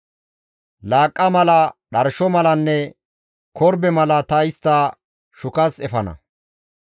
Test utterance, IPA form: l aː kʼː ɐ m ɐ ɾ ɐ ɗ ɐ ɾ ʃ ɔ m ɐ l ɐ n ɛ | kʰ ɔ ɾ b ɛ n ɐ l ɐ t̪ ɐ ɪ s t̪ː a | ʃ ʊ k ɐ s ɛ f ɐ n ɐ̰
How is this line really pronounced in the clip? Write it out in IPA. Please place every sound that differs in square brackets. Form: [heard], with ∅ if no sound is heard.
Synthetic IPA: l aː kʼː ɐ m ɐ [l] ɐ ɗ ɐ ɾ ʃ ɔ m ɐ l ɐ [nː] ɛ | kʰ ɔ ɾ b ɛ [m] ɐ l ɐ t̪ ɐ ɪ s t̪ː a | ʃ ʊ k ɐ s ɛ f ɐ n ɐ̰

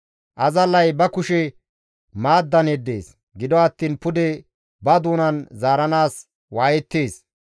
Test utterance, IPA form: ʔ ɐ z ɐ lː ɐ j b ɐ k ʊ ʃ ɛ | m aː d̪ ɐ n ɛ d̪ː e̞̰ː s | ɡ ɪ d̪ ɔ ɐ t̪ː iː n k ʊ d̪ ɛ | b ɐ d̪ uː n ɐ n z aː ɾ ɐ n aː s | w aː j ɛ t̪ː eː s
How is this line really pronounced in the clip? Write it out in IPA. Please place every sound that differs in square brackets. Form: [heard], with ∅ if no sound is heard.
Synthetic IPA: ʔ ɐ z ɐ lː ɐ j b ɐ k ʊ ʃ ɛ | m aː [d̪ː] ɐ n ɛ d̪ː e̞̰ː s | ɡ ɪ d̪ ɔ ɐ t̪ː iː n [p] ʊ d̪ ɛ | b ɐ d̪ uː n ɐ n z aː ɾ ɐ n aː s | w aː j ɛ t̪ː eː s

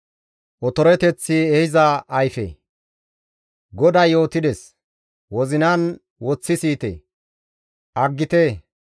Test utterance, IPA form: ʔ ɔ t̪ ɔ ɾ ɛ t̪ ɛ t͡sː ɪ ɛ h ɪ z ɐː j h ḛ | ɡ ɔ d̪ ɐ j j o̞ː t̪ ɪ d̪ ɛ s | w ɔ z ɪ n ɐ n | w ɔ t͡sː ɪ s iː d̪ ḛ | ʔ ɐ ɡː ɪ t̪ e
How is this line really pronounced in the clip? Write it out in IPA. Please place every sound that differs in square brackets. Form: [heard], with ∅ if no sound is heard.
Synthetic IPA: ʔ ɔ t̪ ɔ ɾ ɛ t̪ ɛ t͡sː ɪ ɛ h ɪ z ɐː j [f] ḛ | ɡ ɔ d̪ ɐ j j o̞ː t̪ ɪ d̪ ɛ s | w ɔ z ɪ n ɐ n | w ɔ t͡sː ɪ s iː [t̪] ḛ | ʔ ɐ ɡː ɪ t̪ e

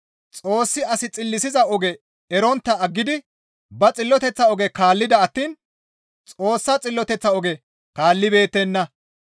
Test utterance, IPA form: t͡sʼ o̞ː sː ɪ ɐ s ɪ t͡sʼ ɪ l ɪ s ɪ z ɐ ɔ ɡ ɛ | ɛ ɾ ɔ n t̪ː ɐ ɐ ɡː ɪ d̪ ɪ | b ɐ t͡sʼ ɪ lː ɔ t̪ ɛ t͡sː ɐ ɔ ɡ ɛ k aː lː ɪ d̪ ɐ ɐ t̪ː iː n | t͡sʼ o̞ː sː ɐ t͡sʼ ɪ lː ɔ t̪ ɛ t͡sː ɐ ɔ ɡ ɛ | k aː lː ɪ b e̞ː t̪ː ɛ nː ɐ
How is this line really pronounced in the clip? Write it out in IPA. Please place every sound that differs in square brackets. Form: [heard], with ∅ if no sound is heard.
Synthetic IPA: t͡sʼ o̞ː sː ɪ ɐ s ɪ t͡sʼ ɪ [lː] ɪ s ɪ z ɐ ɔ ɡ ɛ | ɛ ɾ ɔ n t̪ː ɐ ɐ ɡː ɪ d̪ ɪ | b ɐ t͡sʼ ɪ lː ɔ t̪ ɛ t͡sː ɐ ɔ ɡ ɛ k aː lː ɪ d̪ ɐ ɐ t̪ː iː n | t͡sʼ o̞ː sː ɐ t͡sʼ ɪ lː ɔ t̪ ɛ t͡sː ɐ ɔ ɡ ɛ | k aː lː ɪ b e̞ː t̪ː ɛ nː ɐ

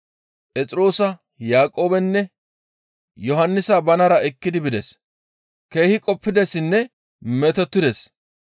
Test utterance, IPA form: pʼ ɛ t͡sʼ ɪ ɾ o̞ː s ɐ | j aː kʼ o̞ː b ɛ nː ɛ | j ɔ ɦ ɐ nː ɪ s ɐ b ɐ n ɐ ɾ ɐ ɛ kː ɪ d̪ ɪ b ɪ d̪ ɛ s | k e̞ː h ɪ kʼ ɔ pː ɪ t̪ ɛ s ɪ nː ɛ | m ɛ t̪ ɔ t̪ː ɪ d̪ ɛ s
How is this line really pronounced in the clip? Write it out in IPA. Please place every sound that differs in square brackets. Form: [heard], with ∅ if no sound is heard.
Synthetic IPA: pʼ ɛ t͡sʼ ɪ ɾ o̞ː s ɐ | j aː kʼ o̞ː b ɛ nː ɛ | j ɔ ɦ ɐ nː ɪ s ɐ b ɐ n ɐ ɾ ɐ ɛ kː ɪ d̪ ɪ b ɪ d̪ ɛ s | k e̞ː h ɪ kʼ ɔ pː ɪ [d̪] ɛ s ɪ nː ɛ | m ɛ t̪ ɔ t̪ː ɪ d̪ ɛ s

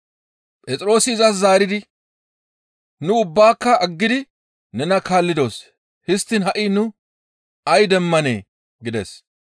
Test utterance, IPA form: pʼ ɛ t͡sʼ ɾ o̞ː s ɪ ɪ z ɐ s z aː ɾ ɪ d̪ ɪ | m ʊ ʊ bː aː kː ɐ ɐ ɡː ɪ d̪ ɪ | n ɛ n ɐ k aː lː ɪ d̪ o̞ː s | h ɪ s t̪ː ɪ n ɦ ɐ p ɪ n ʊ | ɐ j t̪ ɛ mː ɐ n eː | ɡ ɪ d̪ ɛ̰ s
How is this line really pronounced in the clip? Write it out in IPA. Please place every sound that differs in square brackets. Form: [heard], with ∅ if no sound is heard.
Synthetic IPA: pʼ ɛ t͡sʼ ɾ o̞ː s ɪ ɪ z ɐ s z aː ɾ ɪ d̪ ɪ | [n] ʊ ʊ bː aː kː ɐ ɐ ɡː ɪ d̪ ɪ | n ɛ n ɐ k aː lː ɪ d̪ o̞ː s | h ɪ s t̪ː ɪ n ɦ ɐ [ʔ] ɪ n ʊ | ɐ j [d̪] ɛ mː ɐ n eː | ɡ ɪ d̪ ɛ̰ s

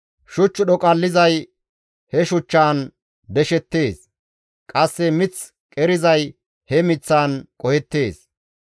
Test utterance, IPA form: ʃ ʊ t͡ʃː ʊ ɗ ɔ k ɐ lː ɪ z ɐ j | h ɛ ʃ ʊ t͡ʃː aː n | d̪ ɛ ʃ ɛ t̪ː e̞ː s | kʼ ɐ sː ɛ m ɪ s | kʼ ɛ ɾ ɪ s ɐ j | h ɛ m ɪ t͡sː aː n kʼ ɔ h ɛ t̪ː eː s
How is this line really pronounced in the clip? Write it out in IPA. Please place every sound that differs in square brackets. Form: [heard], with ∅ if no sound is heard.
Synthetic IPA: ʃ ʊ t͡ʃː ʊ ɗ ɔ [kʼ] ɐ lː ɪ z ɐ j | h ɛ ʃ ʊ t͡ʃː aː n | d̪ ɛ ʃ ɛ t̪ː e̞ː s | kʼ ɐ sː ɛ m ɪ [t͡s] | kʼ ɛ ɾ ɪ [z] ɐ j | h ɛ m ɪ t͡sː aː n kʼ ɔ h ɛ t̪ː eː s

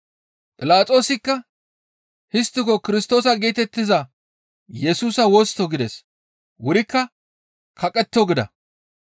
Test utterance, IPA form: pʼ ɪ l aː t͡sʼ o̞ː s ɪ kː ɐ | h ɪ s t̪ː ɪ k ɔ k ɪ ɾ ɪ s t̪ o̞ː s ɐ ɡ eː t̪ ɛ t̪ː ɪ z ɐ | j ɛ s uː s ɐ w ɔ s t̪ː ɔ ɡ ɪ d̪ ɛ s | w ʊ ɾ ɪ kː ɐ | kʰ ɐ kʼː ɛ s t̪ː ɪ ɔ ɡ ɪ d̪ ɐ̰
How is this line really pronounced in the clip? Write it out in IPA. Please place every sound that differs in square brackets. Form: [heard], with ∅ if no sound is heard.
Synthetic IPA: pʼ ɪ l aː t͡sʼ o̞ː s ɪ kː ɐ | h ɪ s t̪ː ɪ k ɔ k ɪ ɾ ɪ s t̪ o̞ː s ɐ ɡ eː t̪ ɛ t̪ː ɪ z ɐ | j ɛ s uː s ɐ w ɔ s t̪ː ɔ ɡ ɪ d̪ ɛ s | w ʊ ɾ ɪ kː ɐ | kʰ ɐ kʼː ɛ [∅] t̪ː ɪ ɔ ɡ ɪ d̪ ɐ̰

